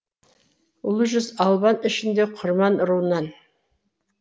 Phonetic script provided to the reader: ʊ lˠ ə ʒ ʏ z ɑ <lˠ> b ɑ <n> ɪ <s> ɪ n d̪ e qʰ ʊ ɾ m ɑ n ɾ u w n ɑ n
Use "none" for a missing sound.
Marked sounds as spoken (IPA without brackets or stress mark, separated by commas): lˠ, n, ʃ